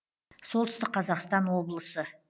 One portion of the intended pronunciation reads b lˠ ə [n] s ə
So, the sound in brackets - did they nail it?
no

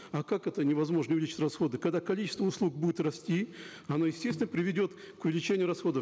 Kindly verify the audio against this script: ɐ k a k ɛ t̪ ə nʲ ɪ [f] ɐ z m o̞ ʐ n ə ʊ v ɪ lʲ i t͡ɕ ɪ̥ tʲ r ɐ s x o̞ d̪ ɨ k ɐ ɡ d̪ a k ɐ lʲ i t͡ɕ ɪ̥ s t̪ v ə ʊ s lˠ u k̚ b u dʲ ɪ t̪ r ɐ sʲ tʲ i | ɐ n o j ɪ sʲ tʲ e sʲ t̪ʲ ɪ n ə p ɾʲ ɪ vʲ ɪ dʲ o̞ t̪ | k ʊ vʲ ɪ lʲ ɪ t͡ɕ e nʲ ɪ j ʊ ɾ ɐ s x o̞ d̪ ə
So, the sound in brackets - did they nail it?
no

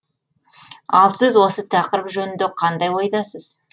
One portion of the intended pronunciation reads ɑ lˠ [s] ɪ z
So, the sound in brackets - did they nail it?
yes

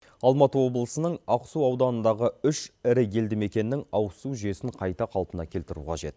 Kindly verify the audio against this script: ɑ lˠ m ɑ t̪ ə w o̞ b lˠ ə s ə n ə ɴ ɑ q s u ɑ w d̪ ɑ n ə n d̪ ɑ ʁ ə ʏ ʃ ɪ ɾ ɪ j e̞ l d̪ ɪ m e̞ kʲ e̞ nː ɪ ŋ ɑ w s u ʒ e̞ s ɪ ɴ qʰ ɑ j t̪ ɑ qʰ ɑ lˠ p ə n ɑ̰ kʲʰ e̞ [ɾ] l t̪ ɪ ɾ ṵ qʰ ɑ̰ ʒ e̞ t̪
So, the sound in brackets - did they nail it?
no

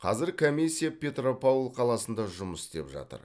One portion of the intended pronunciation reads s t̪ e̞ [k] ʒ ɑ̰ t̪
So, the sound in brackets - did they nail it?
no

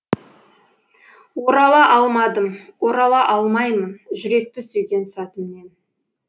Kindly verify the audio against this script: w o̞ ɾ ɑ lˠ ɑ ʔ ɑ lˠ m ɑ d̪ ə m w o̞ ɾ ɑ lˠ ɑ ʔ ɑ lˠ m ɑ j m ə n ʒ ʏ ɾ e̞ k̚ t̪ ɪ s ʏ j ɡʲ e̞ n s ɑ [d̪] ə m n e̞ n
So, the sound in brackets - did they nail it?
no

